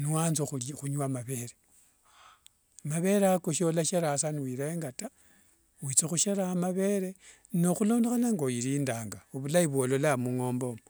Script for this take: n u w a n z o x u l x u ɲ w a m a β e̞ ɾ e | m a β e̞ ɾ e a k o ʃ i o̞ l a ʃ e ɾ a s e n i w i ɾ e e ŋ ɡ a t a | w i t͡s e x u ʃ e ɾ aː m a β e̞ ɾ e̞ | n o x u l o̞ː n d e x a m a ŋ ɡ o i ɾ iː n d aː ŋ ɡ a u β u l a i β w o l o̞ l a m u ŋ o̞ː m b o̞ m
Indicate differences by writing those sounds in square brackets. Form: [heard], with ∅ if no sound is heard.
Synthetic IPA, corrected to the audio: n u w a n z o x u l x u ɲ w a m a β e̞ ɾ e | m a β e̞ ɾ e a k o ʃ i o̞ l a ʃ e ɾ a s [a] n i w i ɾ e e ŋ ɡ a t a | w i t͡s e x u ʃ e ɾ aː m a β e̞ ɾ e̞ | n o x u l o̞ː n d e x a [n] a ŋ ɡ o i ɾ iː n d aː ŋ ɡ a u β u l a i β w o l o̞ l a m u ŋ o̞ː m b o̞ m

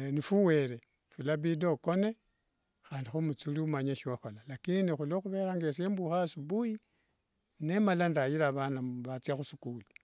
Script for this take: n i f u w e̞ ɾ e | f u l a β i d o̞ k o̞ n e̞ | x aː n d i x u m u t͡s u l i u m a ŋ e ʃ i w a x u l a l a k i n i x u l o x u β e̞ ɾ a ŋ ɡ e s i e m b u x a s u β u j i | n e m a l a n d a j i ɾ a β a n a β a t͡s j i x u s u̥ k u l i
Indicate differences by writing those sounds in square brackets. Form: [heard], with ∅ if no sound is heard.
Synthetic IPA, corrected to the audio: n i f u w e̞ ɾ e | f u l a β i d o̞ k o̞ n e̞ | x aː n d i x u m u t͡s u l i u m a [ɲ] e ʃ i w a x [o] l a l a k i n i x u l o x u β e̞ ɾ a ŋ ɡ e s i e m b u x a s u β u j i | n e m a l a n d a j i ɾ a β a n a β a t͡s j [a] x u s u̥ k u l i

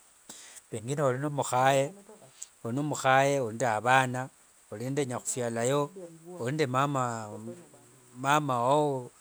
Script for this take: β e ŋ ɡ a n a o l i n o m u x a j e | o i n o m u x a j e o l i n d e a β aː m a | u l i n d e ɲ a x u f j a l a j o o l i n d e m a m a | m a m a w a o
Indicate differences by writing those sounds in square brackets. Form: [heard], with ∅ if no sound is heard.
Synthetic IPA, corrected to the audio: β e ŋ ɡ [i] n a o l i n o m u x a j e | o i n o m u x a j e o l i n d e a β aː [n] a | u l i n d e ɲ a x u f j a l a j o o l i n d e m a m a | m a m a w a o

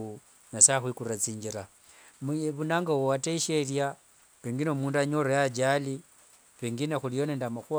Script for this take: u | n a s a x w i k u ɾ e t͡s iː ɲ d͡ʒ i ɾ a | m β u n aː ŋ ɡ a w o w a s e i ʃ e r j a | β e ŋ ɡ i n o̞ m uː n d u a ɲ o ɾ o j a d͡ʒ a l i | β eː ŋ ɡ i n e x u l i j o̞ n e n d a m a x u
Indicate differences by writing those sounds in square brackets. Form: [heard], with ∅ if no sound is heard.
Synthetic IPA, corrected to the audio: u | n a s a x w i k u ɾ [a] t͡s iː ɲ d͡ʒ i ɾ a | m β u n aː ŋ ɡ a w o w a [t] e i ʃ e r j a | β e ŋ ɡ i n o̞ m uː n d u a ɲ o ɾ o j a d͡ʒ a l i | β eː ŋ ɡ i n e x u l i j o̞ n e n d a m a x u

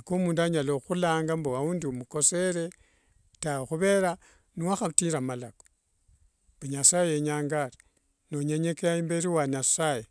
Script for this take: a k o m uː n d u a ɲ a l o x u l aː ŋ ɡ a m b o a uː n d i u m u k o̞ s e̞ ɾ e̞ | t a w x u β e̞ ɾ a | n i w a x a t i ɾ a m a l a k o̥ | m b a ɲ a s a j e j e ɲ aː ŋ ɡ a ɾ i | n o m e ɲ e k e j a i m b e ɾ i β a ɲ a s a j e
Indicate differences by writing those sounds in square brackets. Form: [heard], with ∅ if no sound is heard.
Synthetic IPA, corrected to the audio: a k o m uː n d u a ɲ a l o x u l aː ŋ ɡ a m b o a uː n d i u m u k o̞ s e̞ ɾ e̞ | t a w x u β e̞ ɾ a | n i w a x a t i ɾ a m a l a k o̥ | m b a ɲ a s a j e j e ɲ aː ŋ ɡ a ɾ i | n o [ɲ] e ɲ e k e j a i m b e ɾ i [w] a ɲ a s a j e

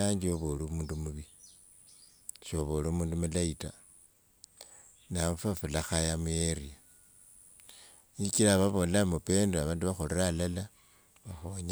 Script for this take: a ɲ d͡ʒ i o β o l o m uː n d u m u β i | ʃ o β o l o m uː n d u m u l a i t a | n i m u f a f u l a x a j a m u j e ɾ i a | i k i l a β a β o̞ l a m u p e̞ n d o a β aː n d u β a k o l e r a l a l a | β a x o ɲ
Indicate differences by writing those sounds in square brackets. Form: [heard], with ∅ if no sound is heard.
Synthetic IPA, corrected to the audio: a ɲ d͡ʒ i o β o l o m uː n d u m u β i | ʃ o β o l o m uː n d u m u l a i t a | n [a] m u f a f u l a x a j a m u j e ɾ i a | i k i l a β a β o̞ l a m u p e̞ n d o a β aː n d u β a [x] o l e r a l a l a | β a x o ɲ

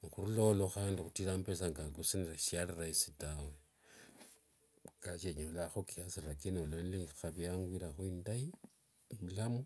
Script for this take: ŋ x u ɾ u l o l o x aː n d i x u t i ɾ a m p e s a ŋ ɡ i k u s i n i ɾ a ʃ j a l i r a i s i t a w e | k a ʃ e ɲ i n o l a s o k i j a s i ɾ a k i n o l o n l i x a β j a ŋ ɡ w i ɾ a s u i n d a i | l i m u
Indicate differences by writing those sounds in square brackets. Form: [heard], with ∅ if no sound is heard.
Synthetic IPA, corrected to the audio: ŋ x u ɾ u l o l o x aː n d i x u t i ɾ a m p e s a ŋ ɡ [a] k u s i n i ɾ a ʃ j a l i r a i s i t a w e | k a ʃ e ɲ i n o l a [x] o k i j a s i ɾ a k i n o l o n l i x a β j a ŋ ɡ w i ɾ a [x] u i n d a i | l [a] m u

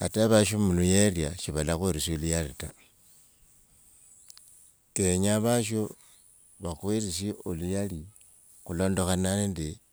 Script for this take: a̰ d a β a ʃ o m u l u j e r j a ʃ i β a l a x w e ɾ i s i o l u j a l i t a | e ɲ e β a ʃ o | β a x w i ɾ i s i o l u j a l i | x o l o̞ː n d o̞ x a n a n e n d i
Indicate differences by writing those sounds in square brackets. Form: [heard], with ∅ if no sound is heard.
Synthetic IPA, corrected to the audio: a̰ [t] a β a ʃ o m u l u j e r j a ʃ i β a l a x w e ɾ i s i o l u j a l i t a | e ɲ [a] β a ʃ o | β a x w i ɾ i s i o l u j a l i | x [u] l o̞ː n d o̞ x a n a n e n d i

